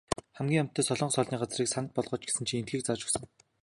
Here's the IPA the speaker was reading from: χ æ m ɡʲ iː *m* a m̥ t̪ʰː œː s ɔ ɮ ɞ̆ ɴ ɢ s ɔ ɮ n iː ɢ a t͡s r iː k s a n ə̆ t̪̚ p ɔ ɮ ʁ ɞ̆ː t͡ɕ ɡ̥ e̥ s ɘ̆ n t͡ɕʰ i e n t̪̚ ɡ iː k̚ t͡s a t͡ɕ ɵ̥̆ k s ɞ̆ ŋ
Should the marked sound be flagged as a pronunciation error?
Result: yes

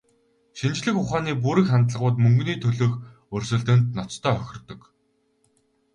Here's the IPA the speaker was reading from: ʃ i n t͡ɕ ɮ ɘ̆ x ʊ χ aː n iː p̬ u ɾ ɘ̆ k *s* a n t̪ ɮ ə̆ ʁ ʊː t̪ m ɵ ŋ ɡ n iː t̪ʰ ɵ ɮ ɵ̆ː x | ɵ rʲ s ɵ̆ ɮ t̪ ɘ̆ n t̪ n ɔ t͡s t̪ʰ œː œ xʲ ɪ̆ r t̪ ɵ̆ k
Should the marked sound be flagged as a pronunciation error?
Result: yes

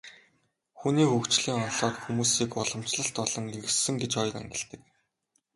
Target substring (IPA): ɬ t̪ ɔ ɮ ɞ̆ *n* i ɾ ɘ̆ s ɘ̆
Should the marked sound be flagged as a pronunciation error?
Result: yes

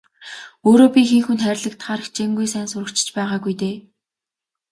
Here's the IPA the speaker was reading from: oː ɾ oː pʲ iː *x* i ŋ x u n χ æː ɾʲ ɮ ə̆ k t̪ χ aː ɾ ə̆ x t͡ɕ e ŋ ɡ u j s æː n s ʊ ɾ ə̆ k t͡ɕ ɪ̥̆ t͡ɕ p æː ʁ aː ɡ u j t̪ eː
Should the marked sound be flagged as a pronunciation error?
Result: no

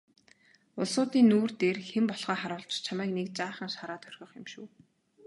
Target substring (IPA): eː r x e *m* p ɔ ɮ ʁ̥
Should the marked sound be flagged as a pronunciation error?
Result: no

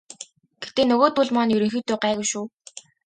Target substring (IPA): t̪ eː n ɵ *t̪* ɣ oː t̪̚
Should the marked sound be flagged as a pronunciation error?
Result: yes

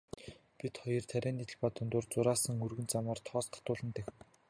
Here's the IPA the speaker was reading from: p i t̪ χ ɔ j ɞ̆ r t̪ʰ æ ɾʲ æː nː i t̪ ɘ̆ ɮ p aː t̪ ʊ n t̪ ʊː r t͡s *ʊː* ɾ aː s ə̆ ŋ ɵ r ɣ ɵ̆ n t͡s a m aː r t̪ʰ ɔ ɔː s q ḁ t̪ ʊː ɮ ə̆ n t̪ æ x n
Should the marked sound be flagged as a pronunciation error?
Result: yes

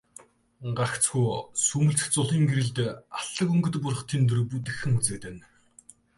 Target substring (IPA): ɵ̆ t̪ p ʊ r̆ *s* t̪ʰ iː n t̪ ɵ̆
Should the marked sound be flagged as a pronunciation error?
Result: yes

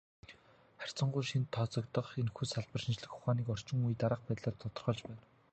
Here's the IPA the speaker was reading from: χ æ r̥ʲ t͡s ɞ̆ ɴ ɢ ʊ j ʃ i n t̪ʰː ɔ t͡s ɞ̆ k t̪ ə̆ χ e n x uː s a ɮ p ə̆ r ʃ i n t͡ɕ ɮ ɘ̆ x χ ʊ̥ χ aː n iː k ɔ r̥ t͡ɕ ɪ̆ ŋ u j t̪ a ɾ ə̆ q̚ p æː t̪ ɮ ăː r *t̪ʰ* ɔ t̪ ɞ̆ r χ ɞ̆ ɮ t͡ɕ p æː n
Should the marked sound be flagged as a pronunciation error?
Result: no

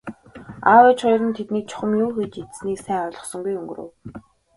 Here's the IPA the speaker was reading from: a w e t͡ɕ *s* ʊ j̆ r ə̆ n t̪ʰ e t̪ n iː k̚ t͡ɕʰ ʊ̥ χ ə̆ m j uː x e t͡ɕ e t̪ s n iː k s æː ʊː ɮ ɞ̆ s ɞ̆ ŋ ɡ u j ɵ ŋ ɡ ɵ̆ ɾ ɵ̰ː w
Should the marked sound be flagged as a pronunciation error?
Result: yes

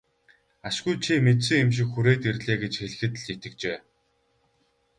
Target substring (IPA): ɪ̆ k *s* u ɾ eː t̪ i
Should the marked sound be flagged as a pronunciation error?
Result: yes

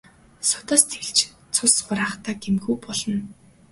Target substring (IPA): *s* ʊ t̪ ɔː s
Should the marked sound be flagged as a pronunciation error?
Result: no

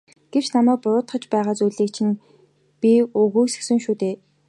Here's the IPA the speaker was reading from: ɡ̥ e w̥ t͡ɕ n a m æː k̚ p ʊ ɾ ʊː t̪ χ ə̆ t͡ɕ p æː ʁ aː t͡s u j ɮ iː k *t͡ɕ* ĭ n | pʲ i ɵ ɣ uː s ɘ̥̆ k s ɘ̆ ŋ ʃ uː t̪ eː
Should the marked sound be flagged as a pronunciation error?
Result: yes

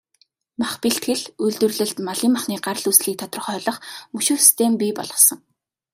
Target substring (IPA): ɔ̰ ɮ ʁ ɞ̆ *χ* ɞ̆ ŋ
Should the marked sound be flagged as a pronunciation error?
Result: yes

